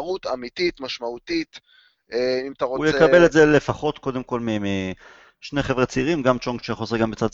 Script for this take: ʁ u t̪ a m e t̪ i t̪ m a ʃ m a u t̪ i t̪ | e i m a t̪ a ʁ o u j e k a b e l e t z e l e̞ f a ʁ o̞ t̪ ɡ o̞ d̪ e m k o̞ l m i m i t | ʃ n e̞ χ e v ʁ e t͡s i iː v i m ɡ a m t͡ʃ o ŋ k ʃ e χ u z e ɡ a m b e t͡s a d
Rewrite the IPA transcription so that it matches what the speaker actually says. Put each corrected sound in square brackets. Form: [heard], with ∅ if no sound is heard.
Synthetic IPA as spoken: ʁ u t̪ a m [i] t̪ i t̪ m a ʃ m a u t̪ i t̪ | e i m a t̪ a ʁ o u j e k a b e l e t z e l e̞ f a [χ] o̞ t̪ [k] o̞ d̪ e m k o̞ l m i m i [∅] | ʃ n e̞ χ e v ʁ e t͡s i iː [ʁ] i m ɡ a m t͡ʃ o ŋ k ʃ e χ [o] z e ɡ a m b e t͡s a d